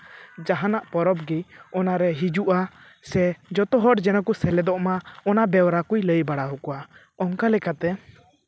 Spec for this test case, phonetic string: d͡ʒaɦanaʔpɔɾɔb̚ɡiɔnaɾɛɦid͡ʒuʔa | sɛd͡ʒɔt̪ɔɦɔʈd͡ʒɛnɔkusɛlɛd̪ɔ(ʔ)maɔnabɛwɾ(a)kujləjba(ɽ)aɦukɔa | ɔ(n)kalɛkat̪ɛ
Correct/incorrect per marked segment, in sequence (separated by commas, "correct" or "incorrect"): correct, correct, correct, incorrect